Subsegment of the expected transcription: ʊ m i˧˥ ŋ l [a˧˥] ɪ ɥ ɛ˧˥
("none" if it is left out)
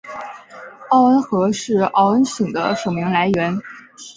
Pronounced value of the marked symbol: a˧˥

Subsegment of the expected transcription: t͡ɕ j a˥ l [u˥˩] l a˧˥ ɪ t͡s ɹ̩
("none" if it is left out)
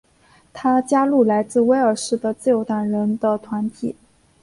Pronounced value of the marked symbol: u˥˩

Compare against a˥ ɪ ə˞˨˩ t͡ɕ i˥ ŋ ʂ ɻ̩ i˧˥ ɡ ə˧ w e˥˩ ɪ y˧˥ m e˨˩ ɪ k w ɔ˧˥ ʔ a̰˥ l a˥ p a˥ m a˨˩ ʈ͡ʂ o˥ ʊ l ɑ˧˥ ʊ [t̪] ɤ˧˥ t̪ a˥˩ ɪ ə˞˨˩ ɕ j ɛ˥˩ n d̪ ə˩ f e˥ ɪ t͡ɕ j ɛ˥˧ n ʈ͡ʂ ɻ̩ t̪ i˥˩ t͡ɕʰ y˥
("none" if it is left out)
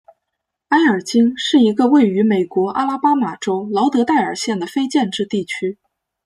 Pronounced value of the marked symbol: t̪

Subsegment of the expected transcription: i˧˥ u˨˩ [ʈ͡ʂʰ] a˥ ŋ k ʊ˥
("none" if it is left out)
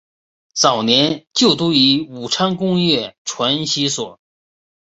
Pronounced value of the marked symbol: ʈ͡ʂʰ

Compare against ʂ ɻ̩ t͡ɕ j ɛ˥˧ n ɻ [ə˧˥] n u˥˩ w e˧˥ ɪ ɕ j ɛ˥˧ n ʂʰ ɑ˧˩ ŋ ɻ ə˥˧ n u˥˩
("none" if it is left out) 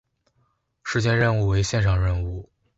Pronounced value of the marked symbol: ə˥˧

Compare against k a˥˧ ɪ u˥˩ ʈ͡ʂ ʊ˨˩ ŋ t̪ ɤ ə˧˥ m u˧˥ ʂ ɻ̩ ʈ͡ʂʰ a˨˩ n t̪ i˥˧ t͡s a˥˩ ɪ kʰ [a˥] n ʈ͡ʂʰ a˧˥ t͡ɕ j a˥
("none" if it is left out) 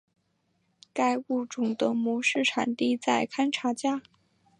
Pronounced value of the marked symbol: a˥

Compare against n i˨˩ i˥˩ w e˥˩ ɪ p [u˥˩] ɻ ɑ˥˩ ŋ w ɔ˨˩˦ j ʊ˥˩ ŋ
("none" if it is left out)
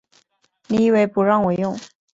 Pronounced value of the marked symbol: u˧˥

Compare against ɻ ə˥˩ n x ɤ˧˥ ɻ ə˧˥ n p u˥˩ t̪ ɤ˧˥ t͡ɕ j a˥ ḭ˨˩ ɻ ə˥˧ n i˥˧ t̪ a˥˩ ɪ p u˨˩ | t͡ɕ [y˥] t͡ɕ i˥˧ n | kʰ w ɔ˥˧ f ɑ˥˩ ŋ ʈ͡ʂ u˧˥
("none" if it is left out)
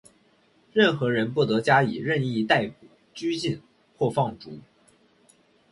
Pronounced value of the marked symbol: y˥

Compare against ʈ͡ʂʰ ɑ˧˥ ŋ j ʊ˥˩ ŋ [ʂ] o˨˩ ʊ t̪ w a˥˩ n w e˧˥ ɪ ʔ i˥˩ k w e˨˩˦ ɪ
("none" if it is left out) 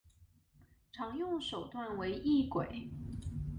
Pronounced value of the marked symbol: ʂ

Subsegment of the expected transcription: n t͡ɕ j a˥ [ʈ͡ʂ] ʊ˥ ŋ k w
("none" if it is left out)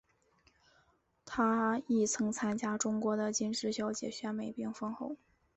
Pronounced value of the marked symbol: ʈ͡ʂ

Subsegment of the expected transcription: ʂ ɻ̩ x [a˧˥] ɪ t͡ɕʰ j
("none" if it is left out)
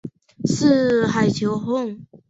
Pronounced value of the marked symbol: a˨˩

